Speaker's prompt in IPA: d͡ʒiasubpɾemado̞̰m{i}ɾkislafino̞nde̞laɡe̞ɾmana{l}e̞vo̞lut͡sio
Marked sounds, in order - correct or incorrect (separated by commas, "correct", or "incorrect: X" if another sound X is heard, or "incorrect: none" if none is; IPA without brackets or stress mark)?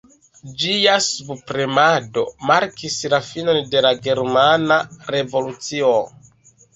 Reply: incorrect: a, incorrect: ɾ